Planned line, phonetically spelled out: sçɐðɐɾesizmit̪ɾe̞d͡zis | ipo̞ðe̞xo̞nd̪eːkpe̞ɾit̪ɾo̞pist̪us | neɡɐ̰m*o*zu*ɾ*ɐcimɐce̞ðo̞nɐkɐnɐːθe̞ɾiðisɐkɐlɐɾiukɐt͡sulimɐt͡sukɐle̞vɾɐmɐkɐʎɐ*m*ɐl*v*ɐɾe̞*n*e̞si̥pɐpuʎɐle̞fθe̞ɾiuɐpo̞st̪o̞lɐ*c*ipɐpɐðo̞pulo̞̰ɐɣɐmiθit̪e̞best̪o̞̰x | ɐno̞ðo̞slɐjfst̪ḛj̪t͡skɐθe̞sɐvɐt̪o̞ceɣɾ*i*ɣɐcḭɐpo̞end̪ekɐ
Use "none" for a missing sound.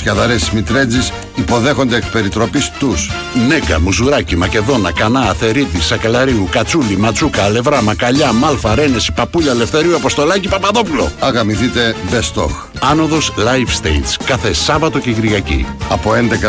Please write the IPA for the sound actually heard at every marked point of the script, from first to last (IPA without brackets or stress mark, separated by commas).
u, ɾ, m, f, n, c, i